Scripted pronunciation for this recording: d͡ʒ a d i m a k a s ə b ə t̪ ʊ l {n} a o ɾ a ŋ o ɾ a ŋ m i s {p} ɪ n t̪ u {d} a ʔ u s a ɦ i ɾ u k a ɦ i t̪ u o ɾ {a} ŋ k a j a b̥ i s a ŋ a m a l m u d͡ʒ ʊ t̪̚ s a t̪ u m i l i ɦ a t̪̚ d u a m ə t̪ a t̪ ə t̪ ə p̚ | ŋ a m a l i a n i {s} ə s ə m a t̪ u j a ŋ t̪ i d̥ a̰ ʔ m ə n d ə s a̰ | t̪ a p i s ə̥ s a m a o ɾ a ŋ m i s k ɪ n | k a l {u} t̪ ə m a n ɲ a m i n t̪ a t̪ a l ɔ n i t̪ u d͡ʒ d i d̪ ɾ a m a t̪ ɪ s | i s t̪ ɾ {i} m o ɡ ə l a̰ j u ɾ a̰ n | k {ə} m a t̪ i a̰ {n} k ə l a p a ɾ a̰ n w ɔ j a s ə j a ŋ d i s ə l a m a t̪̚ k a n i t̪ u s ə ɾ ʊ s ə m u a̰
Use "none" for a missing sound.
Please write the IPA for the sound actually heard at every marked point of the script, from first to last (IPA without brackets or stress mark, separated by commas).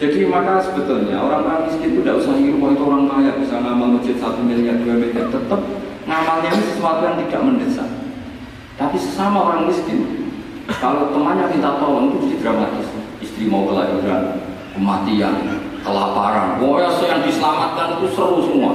ɲ, k, d, a, s, o, i, ə, n